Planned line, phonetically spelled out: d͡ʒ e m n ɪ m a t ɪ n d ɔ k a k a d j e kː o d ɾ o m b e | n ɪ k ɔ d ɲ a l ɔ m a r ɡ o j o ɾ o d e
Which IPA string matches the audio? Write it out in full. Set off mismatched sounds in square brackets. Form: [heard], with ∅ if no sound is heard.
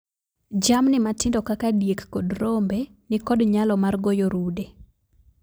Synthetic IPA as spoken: d͡ʒ [a] m n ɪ m a t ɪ n d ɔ k a k a d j e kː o d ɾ o m b e | n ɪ k ɔ d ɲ a l ɔ m a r ɡ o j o ɾ [u] d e